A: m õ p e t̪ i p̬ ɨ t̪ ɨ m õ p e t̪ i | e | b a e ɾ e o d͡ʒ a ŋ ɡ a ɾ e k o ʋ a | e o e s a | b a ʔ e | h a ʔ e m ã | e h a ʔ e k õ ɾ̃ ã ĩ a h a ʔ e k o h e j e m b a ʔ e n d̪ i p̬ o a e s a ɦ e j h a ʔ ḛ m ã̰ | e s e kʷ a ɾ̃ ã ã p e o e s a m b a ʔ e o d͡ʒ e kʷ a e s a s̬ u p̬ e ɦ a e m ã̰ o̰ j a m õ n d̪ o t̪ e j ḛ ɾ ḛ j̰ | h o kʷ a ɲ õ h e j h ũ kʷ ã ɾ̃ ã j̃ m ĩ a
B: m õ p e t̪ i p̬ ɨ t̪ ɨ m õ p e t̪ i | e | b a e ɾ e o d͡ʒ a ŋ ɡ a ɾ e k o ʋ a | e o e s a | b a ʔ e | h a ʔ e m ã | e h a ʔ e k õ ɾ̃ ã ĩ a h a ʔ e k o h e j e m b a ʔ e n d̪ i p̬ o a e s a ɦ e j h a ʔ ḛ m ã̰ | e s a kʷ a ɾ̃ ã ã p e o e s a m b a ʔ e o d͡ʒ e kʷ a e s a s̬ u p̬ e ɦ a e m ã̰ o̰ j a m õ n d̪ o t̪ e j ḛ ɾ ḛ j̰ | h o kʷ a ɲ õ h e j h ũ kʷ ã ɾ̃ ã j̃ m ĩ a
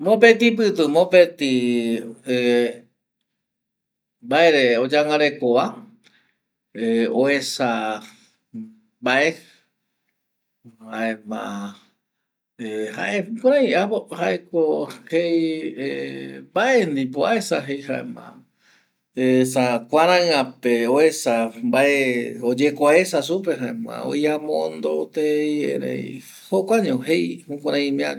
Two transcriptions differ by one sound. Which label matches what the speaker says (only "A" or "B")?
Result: B